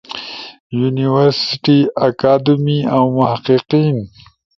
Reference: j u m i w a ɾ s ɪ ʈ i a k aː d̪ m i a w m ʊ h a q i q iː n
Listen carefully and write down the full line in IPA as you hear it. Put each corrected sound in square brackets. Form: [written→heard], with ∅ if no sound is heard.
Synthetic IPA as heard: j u [m→n] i w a ɾ s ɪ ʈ i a k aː d̪ m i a w m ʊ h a q i q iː n